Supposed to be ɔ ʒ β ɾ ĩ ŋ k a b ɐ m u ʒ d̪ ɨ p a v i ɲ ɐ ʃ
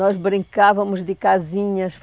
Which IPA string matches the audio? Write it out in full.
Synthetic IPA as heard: ɔ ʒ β ɾ ĩ ŋ k a v ɐ m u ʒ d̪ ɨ k a z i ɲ ɐ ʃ

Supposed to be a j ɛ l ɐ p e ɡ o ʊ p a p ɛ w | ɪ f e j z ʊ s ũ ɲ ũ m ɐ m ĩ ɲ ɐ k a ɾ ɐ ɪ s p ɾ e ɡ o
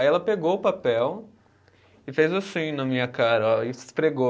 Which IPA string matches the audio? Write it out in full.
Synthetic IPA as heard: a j ɛ l ɐ p e ɡ o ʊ p a p ɛ w | ɪ f e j z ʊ s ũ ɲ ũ n ɐ m ĩ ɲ ɐ k a ɾ ɐ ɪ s p ɾ e ɡ o

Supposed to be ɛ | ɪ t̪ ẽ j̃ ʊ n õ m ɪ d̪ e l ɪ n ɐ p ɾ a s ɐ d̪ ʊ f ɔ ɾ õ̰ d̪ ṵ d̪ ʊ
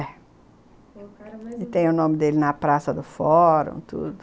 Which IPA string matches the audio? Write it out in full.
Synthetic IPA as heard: ɛ | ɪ t̪ ẽ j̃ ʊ n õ m ɪ d̪ e l ɪ n ɐ p ɾ a s ɐ d̪ ʊ f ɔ ɾ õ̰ t̪ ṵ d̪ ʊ

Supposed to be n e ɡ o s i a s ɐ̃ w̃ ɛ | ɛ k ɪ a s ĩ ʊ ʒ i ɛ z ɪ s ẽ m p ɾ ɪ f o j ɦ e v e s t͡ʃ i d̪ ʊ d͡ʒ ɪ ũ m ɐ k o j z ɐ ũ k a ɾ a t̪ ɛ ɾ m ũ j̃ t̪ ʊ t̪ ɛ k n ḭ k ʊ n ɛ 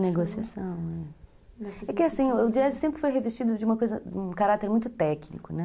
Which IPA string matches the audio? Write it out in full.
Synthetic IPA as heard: n e ɡ o s i a s ɐ̃ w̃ ɛ | ɛ k ɪ a s ĩ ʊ d͡ʒ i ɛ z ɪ s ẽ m p ɾ ɪ f o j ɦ e v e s t͡ʃ i d̪ ʊ d͡ʒ ɪ ũ m ɐ k o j z ɐ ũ k a ɾ a t̪ e ɾ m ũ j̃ t̪ ʊ t̪ ɛ k n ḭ k ʊ n ɛ

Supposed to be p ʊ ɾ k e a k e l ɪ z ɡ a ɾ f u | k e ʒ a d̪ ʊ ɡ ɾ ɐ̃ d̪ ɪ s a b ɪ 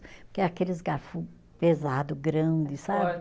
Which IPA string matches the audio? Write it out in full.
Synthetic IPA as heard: p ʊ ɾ k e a k e l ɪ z ɡ a ɾ f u | p e z a d̪ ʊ ɡ ɾ ɐ̃ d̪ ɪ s a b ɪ

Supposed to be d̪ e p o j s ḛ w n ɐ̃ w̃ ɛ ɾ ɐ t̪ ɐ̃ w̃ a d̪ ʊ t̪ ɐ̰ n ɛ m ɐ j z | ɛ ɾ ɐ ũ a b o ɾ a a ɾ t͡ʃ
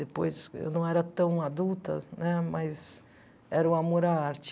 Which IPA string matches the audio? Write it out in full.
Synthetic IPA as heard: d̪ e p o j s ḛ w n ɐ̃ w̃ ɛ ɾ ɐ t̪ ɐ̃ w̃ a d̪ u t̪ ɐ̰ n ɛ m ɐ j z | ɛ ɾ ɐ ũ a m o ɾ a a ɾ t͡ʃ

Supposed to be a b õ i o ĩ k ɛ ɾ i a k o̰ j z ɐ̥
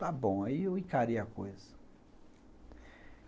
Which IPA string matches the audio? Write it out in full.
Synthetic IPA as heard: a b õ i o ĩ k a ɾ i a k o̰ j z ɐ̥

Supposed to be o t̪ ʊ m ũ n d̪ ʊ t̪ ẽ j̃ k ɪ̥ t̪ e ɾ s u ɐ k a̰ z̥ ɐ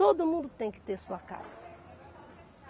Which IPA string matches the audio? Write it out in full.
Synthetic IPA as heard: o d̪ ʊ m ũ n d̪ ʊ t̪ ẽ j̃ k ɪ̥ t̪ e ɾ s u ɐ k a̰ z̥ ɐ

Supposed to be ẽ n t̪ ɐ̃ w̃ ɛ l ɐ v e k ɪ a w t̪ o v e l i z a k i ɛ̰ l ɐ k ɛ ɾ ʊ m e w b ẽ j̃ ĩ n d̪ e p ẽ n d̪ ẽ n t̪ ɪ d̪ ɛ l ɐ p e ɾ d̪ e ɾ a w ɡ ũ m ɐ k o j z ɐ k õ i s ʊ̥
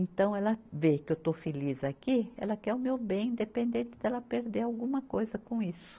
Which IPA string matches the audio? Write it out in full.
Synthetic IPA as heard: ẽ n t̪ ɐ̃ w̃ ɛ l ɐ v e k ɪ e w t̪ o f e l i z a k i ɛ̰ l ɐ k ɛ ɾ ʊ m e w b ẽ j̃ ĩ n d̪ e p ẽ n d̪ ẽ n t̪ ɪ d̪ ɛ l ɐ p e ɾ d̪ e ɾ a w ɡ ũ m ɐ k o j z ɐ k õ i s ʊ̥

